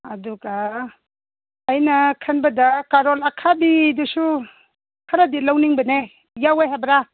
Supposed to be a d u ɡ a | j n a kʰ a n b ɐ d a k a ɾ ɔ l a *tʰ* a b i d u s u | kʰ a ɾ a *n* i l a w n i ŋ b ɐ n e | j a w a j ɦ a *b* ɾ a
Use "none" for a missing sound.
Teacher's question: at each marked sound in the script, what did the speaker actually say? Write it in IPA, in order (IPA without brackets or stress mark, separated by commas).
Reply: kʰ, d, b